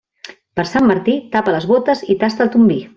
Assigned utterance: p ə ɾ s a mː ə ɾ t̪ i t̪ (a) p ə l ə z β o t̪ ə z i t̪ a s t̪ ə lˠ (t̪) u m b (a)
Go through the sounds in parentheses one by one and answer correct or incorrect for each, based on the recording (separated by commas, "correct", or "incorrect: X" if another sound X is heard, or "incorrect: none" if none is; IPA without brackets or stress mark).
correct, correct, incorrect: i